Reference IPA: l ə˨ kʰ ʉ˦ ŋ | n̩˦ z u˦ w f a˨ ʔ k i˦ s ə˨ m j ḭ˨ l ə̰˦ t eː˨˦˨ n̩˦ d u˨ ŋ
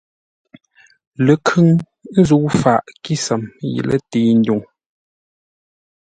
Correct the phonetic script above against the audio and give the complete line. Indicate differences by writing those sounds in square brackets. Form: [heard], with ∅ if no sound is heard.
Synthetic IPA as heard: l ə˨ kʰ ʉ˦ ŋ | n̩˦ z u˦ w f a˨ ʔ k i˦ s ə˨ m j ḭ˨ l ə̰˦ t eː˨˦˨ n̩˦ d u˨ ŋ